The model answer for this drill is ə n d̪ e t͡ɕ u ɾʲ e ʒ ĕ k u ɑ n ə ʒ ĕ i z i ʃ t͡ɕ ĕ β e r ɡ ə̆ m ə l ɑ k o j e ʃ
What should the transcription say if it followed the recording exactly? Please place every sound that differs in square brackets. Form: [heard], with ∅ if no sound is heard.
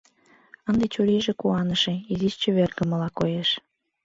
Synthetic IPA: ə n d̪ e t͡ɕ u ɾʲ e ʒ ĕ k u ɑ n ə [ʃ] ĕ i z i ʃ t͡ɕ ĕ β e r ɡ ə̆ m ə l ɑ k o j e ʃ